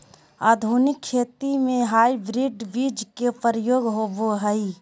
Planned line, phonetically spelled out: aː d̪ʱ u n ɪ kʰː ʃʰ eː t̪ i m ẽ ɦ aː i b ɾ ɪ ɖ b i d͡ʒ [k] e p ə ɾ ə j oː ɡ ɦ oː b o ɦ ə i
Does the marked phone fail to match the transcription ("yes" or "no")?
no